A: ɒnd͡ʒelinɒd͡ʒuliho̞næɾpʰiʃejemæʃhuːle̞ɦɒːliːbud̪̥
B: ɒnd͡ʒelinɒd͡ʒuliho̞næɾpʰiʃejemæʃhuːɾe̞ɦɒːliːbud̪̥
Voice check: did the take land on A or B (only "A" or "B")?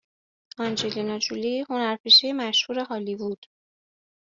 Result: B